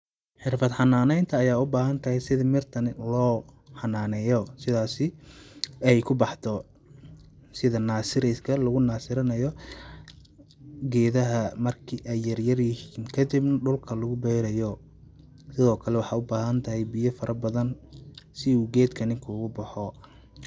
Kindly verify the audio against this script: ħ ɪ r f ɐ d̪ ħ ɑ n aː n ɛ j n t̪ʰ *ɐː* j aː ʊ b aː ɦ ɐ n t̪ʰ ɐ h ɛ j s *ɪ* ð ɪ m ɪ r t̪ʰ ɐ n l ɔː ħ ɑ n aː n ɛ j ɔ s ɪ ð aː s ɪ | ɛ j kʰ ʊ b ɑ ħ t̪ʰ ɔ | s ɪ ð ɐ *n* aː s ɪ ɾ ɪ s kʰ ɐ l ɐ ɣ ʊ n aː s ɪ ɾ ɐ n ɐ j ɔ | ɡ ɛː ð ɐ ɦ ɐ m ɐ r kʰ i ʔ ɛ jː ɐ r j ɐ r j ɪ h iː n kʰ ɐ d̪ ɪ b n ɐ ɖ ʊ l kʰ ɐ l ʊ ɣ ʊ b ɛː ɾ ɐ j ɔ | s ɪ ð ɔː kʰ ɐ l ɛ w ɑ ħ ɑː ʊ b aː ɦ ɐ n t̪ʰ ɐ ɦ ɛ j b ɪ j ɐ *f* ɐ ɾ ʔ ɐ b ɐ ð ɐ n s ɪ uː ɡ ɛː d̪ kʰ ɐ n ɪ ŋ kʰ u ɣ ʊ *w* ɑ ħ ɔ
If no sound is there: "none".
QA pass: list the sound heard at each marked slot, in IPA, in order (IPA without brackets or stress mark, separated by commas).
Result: ɐː, ɪ, n, f, b